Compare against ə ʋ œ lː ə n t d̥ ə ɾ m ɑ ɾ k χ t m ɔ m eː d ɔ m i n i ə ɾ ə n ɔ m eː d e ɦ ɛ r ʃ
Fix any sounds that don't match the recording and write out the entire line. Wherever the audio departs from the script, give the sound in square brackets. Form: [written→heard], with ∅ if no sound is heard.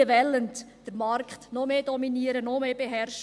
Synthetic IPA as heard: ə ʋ [œ→ɛ] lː ə n t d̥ ə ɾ m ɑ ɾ k χ t [m→n] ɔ m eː d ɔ m i n i ə ɾ ə n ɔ m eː [d→b] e ɦ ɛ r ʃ